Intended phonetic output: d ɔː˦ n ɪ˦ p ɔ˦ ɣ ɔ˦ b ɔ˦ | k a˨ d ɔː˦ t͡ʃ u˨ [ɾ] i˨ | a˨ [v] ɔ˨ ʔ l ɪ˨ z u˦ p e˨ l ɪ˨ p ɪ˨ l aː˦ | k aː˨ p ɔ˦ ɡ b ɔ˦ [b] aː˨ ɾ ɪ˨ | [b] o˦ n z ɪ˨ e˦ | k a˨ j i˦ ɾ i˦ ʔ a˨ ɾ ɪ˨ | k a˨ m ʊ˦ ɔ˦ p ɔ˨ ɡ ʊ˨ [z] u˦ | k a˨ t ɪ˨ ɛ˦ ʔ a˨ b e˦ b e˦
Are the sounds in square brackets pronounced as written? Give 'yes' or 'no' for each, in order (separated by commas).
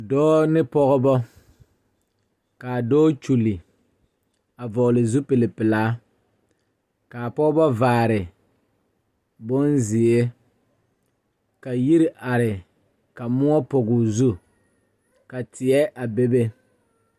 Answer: no, yes, no, yes, yes